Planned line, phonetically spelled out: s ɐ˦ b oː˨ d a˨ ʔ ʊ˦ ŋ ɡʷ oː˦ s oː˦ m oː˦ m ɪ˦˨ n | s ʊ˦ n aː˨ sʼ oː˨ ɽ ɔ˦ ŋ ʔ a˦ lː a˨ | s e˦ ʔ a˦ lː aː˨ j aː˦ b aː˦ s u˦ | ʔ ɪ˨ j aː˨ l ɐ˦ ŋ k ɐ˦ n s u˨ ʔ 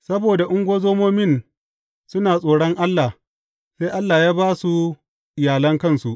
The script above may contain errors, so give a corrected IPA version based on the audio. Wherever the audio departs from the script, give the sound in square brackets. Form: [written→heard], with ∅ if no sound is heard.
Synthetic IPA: s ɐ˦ b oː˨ d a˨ ʔ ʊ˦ ŋ ɡʷ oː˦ [s→z] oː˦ m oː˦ m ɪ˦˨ n | s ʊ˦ n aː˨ sʼ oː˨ ɽ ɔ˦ ŋ ʔ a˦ lː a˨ | s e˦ ʔ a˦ lː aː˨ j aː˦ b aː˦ s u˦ | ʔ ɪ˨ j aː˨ l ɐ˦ ŋ k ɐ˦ n s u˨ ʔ